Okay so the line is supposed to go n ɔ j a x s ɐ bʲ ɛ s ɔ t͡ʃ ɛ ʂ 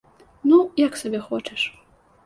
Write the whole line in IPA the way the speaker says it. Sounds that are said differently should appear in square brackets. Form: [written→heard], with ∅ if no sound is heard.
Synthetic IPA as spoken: n [ɔ→u] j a [x→k] s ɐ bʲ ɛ [s→x] ɔ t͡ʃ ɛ ʂ

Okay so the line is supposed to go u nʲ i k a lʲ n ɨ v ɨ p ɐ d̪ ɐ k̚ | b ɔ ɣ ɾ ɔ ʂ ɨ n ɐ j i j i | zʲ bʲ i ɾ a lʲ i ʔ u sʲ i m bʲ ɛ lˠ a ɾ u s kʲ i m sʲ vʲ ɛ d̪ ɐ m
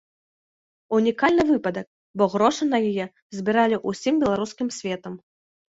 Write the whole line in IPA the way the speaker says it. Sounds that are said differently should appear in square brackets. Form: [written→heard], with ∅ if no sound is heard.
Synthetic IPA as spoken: u nʲ i k a lʲ n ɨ v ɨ p ɐ d̪ ɐ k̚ | b ɔ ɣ ɾ ɔ ʂ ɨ n ɐ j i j [i→ɛ] | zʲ bʲ i ɾ a lʲ i ʔ u sʲ i m bʲ ɛ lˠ a ɾ u s kʲ i m sʲ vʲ ɛ [d̪→t̪] ɐ m

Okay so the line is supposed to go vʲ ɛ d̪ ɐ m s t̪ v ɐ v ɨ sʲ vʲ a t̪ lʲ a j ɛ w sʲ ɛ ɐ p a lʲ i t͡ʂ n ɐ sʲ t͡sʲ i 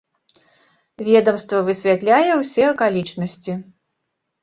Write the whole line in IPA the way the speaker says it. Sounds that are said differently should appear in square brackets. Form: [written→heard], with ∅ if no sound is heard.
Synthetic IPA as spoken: vʲ ɛ d̪ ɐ m s t̪ v ɐ v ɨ sʲ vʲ a t̪ lʲ a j ɛ w sʲ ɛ ɐ [p→k] a lʲ i t͡ʂ n ɐ sʲ t͡sʲ i

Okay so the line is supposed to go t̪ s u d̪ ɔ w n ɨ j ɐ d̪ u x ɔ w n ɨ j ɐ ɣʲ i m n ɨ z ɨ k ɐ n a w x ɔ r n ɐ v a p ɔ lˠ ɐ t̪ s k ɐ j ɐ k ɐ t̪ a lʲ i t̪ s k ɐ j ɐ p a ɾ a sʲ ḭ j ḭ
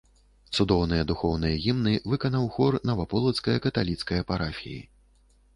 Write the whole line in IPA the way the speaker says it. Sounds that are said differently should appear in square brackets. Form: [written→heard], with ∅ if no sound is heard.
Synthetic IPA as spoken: t̪ s u d̪ ɔ w n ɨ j ɐ d̪ u x ɔ w n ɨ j ɐ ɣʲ i m n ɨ [z→v] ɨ k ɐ n a w x ɔ r n ɐ v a p ɔ lˠ ɐ t̪ s k ɐ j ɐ k ɐ t̪ a lʲ i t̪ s k ɐ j ɐ p a ɾ a [sʲ→fʲ] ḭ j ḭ

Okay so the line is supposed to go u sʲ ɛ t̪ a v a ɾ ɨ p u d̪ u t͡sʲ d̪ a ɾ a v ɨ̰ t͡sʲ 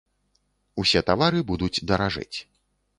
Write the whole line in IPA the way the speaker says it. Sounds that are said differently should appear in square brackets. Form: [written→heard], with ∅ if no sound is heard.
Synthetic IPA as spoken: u sʲ ɛ t̪ a v a ɾ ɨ [p→b] u d̪ u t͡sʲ d̪ [a→ɐ] ɾ a [v→ʐ] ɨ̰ t͡sʲ

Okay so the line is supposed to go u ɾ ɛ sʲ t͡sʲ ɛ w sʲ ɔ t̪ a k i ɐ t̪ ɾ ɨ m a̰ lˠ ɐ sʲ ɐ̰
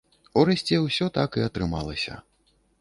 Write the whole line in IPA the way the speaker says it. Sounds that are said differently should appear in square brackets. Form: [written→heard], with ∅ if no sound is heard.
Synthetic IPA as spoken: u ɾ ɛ sʲ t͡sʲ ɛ w sʲ ɔ t̪ a k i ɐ t̪ ɾ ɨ m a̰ lˠ ɐ sʲ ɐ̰

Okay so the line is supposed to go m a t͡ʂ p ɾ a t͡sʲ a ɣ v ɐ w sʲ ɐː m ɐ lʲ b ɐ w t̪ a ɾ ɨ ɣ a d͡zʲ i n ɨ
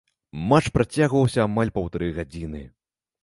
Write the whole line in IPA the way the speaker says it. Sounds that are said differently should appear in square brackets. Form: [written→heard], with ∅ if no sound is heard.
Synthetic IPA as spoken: m a t͡ʂ p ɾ a t͡sʲ a ɣ v ɐ w sʲ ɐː m [ɐ→a] lʲ [b→p] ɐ w t̪ a ɾ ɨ ɣ a d͡zʲ i n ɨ

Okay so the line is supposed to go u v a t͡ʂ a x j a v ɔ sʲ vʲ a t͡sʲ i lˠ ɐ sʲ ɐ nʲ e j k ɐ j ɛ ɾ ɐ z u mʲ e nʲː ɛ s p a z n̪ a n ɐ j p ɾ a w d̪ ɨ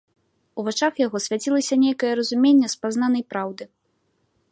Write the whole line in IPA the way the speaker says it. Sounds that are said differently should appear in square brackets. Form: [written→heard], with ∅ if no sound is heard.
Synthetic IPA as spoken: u v a t͡ʂ a x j a [v→ɣ] ɔ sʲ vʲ a t͡sʲ i lˠ ɐ sʲ ɐ nʲ e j k ɐ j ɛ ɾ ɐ z u mʲ e nʲː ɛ s p a z n̪ a n ɐ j p ɾ a w d̪ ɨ

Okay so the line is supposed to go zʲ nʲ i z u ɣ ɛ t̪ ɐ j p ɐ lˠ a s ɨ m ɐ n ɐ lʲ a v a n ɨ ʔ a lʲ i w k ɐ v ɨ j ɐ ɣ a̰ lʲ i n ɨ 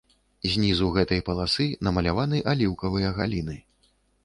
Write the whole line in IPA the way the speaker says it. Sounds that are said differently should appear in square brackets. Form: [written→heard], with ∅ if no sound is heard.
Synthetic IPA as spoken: zʲ nʲ i z u ɣ ɛ t̪ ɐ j p ɐ lˠ a s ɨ [m→n] ɐ [n→m] ɐ lʲ a v a n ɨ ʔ a lʲ i w k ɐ v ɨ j ɐ ɣ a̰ lʲ i n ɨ

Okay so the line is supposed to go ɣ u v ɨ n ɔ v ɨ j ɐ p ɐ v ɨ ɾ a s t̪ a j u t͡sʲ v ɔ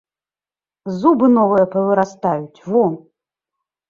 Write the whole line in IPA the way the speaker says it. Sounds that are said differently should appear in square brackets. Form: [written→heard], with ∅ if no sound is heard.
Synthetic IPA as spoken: [ɣ→z] u [v→b] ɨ n ɔ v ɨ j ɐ p ɐ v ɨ ɾ a s t̪ a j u t͡sʲ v ɔ

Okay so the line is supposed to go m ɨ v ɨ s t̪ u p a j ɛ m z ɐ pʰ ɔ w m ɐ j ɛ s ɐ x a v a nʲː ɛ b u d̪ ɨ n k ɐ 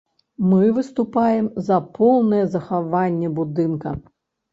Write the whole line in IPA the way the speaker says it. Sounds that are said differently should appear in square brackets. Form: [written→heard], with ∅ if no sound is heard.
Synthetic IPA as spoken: m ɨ v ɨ s t̪ u p a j ɛ m z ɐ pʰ ɔ w [m→n] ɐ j ɛ [s→z] ɐ x a v a nʲː ɛ b u d̪ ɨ n k ɐ

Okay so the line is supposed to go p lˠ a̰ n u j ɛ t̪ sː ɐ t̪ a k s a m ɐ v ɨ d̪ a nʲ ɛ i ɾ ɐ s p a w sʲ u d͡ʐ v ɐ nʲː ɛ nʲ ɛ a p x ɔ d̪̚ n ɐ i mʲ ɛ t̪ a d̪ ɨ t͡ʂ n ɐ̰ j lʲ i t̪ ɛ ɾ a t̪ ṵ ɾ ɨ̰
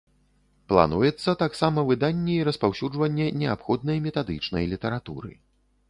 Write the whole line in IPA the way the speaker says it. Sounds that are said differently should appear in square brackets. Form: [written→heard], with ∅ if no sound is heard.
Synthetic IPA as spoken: p lˠ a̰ n u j ɛ t̪ sː ɐ t̪ a k s a m ɐ v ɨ d̪ a [nʲ→nʲː] ɛ i ɾ ɐ s p a w sʲ u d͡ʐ v ɐ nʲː ɛ nʲ ɛ a p x ɔ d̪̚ n ɐ [i→j] mʲ ɛ t̪ a d̪ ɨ t͡ʂ n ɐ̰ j lʲ i t̪ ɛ ɾ a t̪ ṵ ɾ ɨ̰

